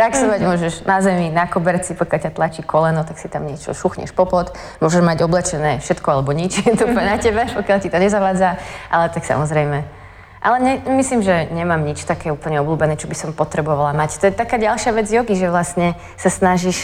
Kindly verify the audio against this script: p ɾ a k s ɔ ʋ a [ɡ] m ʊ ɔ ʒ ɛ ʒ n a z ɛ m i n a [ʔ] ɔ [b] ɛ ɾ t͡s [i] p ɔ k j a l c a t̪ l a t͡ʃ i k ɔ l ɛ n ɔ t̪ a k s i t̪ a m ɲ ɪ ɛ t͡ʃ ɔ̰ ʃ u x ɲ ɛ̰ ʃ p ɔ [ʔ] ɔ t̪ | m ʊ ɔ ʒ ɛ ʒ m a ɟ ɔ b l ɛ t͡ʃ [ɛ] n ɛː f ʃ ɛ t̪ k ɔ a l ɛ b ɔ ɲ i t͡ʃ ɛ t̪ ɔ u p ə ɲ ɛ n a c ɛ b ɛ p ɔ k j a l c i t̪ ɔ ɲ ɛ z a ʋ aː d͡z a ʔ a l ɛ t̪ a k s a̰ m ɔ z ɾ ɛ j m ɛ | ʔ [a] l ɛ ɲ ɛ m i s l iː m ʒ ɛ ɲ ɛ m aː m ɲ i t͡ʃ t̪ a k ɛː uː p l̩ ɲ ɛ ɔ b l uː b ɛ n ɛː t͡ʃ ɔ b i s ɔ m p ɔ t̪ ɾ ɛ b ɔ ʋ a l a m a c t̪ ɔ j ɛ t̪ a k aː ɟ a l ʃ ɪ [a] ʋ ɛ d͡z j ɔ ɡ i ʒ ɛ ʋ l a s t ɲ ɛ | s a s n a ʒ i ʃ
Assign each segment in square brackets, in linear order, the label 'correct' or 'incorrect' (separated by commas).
incorrect, incorrect, correct, correct, incorrect, correct, correct, correct